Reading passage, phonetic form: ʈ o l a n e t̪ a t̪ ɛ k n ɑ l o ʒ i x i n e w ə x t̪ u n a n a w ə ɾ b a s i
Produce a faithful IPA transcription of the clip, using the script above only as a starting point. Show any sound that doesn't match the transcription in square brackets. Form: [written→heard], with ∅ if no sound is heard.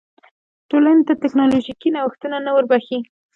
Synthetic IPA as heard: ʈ o l a n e t̪ a t̪ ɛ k n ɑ l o ʒ i [x→k] i n [e→a] w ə x t̪ u n a n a w ə ɾ b a [s→x] i